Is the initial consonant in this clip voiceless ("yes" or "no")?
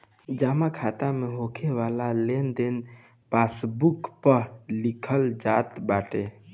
no